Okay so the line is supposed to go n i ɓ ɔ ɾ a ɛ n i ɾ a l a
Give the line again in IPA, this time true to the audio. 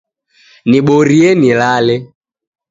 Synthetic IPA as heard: n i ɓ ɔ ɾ i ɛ n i l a l ɛ